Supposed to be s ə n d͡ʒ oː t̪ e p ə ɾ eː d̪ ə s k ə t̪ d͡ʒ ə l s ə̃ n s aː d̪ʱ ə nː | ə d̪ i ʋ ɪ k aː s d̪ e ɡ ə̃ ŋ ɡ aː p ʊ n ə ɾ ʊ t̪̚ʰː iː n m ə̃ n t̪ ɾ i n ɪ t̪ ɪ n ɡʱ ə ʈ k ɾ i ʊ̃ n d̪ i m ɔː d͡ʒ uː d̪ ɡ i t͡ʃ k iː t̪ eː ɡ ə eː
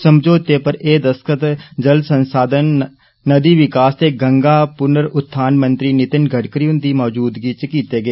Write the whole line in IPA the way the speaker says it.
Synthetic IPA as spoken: s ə m d͡ʒ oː t̪ e p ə ɾ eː d̪ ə s k ə t̪ d͡ʒ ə l s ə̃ n s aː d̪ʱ ə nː | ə d̪ i ʋ ɪ k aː s t̪ e ɡ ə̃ ŋ ɡ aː p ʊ n ə ɾ ʊ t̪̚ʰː aː n m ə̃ n t̪ ɾ i n ɪ t̪ ɪ n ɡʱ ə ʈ k ɾ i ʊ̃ n d̪ i m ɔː d͡ʒ uː d̪ ɡ i t͡ʃ k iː t̪ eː ɡ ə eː